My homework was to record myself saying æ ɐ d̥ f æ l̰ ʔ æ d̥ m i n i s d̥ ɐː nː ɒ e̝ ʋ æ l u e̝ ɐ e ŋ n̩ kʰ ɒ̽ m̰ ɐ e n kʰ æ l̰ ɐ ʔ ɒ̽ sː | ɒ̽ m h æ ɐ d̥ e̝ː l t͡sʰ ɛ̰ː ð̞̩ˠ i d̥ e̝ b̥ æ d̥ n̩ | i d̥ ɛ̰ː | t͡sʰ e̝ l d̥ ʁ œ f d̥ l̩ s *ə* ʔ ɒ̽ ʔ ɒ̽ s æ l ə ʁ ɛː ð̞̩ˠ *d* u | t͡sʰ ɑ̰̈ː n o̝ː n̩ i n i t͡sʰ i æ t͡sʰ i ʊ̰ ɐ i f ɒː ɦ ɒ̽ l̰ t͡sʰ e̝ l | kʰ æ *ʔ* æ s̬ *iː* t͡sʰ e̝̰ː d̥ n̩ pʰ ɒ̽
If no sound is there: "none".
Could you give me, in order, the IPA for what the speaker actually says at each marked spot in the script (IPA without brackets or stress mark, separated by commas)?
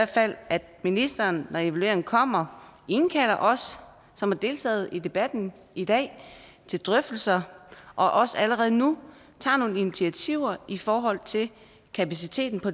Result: ɐ, n, p, i